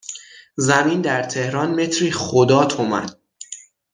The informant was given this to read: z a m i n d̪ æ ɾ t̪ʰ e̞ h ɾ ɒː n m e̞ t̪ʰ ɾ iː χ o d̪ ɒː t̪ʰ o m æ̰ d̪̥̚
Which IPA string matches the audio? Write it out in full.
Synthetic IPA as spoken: z æ m i n d̪ æ ɾ t̪ʰ e̞ h ɾ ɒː n m e̞ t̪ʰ ɾ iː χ o d̪ ɒː t̪ʰ o m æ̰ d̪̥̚